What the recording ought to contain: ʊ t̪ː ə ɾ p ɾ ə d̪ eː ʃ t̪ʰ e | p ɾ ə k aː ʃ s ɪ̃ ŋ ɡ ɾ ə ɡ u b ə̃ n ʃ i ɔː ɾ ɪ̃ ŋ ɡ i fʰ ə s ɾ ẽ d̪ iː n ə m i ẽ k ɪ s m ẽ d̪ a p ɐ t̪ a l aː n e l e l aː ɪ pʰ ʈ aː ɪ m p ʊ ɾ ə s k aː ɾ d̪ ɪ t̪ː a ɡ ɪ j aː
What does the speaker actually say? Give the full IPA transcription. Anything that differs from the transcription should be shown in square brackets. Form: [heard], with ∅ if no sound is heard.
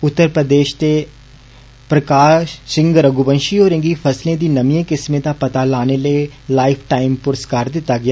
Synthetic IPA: ʊ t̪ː ə ɾ p ɾ ə d̪ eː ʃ [t̪] e | p ɾ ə k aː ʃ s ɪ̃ ŋ ɡ ɾ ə ɡ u b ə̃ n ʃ i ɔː ɾ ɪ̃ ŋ ɡ i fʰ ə s [l] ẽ d̪ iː n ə m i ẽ k ɪ s m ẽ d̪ a p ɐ t̪ a l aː n e l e l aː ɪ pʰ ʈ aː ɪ m p ʊ ɾ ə s k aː ɾ d̪ ɪ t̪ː a ɡ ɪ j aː